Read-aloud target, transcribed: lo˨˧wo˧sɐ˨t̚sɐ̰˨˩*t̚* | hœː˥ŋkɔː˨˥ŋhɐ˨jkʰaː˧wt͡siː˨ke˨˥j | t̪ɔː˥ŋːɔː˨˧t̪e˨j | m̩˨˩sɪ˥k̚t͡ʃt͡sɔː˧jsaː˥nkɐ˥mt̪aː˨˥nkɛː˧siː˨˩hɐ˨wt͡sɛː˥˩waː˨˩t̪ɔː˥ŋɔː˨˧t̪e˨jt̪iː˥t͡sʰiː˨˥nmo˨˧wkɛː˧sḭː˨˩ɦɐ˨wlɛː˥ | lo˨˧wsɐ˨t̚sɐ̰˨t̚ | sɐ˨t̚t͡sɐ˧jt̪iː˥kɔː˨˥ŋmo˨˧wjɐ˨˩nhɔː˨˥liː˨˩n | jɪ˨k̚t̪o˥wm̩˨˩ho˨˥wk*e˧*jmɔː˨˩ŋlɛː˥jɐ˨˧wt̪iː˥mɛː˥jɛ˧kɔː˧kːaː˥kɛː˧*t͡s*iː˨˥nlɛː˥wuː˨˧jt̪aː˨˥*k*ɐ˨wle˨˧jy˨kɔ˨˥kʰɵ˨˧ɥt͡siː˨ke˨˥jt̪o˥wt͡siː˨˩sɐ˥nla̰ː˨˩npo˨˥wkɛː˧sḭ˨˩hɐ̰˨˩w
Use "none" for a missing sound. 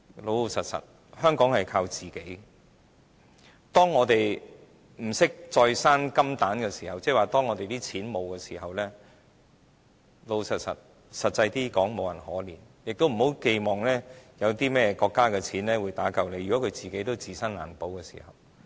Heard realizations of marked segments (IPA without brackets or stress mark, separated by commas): t̚, e˧, t͡sʰ, k